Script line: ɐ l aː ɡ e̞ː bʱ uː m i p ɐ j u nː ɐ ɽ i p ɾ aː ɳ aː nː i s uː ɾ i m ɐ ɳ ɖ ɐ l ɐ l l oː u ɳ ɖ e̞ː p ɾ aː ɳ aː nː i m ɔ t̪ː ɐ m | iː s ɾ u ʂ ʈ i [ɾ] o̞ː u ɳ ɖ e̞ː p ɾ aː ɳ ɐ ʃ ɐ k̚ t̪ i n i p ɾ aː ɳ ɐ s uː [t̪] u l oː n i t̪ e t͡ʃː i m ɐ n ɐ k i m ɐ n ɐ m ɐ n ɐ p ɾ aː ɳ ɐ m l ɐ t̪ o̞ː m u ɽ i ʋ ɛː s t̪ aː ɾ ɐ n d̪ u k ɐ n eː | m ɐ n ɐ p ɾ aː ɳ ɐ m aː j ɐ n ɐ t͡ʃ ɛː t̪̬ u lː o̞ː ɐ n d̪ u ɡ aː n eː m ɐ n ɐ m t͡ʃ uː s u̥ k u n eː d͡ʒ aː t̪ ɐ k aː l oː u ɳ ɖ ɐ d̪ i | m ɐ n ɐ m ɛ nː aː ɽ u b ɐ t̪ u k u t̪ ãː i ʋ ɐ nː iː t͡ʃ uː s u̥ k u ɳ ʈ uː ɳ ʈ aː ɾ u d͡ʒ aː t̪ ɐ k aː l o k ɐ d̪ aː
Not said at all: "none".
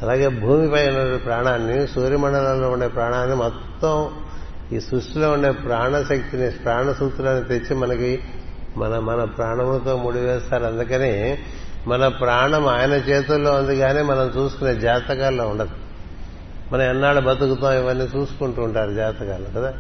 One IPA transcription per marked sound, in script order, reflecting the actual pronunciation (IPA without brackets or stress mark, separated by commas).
l, t̪